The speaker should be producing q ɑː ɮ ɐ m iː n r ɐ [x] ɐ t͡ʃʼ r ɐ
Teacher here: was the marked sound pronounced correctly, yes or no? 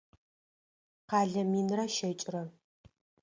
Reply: no